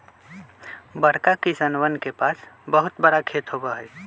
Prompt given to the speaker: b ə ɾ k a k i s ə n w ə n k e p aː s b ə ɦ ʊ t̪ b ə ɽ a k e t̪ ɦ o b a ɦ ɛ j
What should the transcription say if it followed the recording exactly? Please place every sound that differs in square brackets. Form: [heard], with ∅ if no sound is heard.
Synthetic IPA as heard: b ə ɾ k a k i s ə n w ə n k e p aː s b ə ɦ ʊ t̪ b ə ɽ a [kʰ] e t̪ ɦ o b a ɦ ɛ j